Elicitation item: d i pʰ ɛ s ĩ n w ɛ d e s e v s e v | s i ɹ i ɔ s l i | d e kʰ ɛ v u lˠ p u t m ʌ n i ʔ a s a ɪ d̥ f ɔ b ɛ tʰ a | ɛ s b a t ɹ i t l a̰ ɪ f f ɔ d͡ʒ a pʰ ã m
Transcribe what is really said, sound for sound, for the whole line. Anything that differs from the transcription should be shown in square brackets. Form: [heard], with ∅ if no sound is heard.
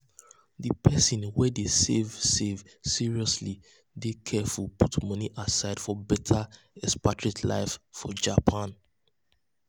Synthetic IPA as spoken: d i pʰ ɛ s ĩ n w ɛ d e s e v s e v | s i ɹ i ɔ s l i | d e kʰ ɛ [f] u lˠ p u t m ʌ n i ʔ a s a ɪ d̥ f ɔ b ɛ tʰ a | ɛ s [p] a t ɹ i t l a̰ ɪ f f ɔ d͡ʒ a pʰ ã [n]

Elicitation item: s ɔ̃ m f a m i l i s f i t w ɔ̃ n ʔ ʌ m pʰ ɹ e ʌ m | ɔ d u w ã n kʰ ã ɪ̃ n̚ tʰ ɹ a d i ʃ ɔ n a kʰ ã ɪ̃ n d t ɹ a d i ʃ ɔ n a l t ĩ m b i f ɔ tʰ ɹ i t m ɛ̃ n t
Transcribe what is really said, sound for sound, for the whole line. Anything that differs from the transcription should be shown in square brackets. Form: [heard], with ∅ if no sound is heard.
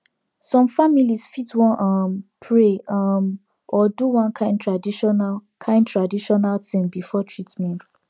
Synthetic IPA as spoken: s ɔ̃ m f a m i l i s f i t w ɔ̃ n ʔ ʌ m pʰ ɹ e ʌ m | ɔ d u w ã n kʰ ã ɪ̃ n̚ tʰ ɹ a d i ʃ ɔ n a kʰ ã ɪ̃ n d t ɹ a d i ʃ ɔ n a l t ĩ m b i f ɔ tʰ ɹ i t m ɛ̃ n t

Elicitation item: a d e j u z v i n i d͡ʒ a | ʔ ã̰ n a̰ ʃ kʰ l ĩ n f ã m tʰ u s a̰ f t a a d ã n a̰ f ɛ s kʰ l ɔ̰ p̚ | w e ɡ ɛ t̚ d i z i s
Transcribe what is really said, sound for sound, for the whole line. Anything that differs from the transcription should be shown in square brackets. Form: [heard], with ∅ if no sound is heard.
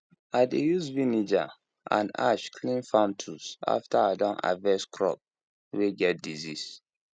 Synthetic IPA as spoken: a d e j u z v i n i d͡ʒ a | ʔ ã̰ n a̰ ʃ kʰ l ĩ n f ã m tʰ u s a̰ f t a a d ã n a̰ [v] ɛ s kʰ [ɹ] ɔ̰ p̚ | w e ɡ ɛ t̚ d i z i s

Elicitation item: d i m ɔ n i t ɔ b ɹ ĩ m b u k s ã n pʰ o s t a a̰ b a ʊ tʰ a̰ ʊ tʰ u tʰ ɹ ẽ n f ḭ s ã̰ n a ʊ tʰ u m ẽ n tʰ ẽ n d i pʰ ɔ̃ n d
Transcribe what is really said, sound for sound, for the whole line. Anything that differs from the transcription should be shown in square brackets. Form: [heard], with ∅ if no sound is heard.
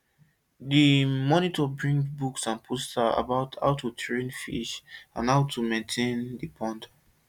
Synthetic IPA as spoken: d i m ɔ n i t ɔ b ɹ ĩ [ŋ] b u k s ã n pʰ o s t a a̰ b a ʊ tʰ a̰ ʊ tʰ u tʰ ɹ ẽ n f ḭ [ʃ] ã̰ n a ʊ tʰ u m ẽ n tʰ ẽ n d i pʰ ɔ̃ n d

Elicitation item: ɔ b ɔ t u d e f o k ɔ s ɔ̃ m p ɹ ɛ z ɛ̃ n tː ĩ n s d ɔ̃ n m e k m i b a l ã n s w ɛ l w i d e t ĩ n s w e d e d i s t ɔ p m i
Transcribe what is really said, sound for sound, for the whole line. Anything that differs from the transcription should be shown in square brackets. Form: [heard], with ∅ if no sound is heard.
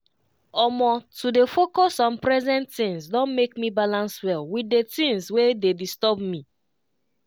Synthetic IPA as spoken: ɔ [m] ɔ t u d e f o k ɔ s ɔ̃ [n] p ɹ ɛ z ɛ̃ n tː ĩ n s d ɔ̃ n m e k m i b a l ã n s w ɛ l w i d e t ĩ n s w e d e d i s t ɔ [b] m i

